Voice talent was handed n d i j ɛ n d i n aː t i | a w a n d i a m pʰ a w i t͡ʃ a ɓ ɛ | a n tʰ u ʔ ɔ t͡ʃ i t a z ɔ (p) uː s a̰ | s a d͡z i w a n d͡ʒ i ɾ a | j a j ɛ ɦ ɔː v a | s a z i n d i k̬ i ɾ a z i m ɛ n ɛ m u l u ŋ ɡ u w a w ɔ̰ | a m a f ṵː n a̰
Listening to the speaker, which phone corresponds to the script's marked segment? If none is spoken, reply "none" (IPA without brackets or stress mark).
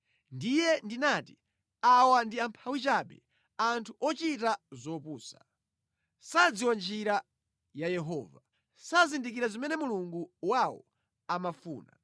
p